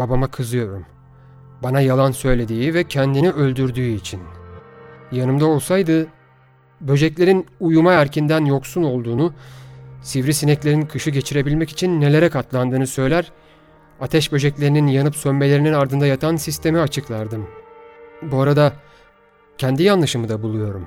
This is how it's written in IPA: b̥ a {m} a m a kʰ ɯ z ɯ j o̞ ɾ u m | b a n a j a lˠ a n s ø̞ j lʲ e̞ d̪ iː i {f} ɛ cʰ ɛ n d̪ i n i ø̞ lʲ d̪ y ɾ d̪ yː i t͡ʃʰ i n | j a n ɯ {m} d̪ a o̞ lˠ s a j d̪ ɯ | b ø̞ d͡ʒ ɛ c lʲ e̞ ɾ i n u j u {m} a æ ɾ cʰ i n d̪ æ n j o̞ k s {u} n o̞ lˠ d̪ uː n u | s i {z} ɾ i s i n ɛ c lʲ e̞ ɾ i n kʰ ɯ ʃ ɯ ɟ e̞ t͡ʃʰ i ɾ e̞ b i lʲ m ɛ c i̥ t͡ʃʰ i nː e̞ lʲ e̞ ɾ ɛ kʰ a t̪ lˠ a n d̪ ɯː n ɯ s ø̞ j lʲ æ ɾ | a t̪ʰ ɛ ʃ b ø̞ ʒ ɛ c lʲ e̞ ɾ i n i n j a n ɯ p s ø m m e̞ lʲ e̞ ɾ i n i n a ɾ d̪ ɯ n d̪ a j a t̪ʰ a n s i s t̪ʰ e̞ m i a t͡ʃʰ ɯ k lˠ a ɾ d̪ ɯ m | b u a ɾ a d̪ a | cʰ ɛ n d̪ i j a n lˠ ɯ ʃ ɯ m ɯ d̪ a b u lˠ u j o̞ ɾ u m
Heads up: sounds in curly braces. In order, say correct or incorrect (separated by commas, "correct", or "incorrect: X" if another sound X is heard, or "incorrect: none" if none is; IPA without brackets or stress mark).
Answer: incorrect: b, incorrect: v, correct, correct, correct, incorrect: v